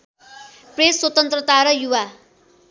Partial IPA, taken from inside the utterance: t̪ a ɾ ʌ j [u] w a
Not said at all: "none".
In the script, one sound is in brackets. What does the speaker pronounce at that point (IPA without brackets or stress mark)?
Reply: u